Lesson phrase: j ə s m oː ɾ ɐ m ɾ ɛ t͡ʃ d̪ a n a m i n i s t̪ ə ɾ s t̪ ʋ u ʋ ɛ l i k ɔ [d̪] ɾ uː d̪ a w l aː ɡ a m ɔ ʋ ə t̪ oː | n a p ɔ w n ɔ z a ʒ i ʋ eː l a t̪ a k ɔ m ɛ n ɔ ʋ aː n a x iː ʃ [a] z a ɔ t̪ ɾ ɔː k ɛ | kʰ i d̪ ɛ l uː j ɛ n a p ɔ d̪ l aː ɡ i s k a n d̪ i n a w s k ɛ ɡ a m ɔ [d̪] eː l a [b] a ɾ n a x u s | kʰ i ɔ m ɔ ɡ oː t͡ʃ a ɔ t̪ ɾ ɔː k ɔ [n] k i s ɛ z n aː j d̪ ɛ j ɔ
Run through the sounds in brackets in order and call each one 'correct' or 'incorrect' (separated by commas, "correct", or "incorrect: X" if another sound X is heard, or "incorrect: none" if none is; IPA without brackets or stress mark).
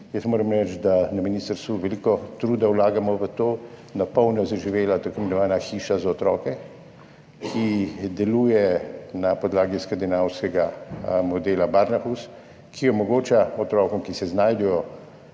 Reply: incorrect: t̪, correct, correct, correct, incorrect: m